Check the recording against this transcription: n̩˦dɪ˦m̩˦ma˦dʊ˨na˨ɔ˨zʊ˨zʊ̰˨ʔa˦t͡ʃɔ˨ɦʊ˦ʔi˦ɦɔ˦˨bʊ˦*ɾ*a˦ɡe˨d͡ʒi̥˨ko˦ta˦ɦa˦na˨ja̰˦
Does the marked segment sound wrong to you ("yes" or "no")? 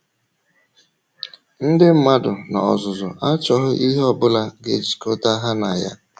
yes